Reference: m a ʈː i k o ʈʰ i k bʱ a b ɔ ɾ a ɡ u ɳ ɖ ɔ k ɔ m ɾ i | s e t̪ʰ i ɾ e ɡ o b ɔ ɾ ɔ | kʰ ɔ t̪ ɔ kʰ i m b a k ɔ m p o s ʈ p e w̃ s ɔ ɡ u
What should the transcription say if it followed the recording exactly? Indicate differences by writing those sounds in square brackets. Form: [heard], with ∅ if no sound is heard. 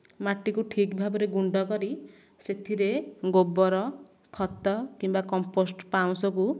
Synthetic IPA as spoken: m a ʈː i k [u] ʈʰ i k bʱ a b ɔ ɾ [e] ɡ u ɳ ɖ ɔ k ɔ [∅] ɾ i | s e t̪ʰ i ɾ e ɡ o b ɔ ɾ ɔ | kʰ ɔ t̪ ɔ [k] i m b a k ɔ m p o s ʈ p [a] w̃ s ɔ [k] u